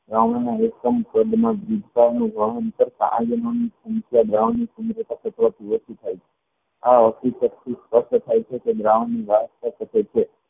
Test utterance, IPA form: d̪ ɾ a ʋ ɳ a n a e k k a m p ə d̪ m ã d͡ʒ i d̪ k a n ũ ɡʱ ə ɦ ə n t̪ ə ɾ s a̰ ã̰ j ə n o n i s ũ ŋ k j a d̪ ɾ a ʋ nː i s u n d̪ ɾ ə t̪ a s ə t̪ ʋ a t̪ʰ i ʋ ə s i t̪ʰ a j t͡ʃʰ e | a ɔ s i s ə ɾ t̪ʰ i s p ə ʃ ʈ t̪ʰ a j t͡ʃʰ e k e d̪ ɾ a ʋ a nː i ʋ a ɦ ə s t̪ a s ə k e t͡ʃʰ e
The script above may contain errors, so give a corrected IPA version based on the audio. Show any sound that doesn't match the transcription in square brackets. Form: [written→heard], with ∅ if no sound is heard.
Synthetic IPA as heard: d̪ ɾ a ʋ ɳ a n a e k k [a→ə] m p ə d̪ m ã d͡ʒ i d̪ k a n ũ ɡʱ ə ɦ ə n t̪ ə ɾ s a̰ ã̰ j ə n o n i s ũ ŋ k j a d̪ ɾ a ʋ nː i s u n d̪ ɾ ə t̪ a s ə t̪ ʋ a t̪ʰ i ʋ ə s i t̪ʰ a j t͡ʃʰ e | a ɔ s i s ə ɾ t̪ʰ i s p ə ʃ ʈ t̪ʰ a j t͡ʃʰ e k e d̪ ɾ a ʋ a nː i ʋ a ɦ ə s t̪ a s ə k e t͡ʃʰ e